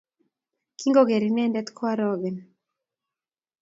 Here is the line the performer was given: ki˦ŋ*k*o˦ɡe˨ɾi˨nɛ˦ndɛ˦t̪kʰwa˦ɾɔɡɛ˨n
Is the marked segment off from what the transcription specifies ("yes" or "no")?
yes